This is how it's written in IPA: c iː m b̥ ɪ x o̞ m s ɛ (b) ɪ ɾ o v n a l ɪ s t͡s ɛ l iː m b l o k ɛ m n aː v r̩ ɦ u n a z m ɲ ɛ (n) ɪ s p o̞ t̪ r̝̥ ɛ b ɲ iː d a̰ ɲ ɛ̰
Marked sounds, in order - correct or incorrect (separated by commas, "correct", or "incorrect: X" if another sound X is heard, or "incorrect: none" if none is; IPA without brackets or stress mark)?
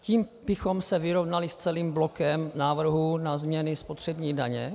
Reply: incorrect: v, correct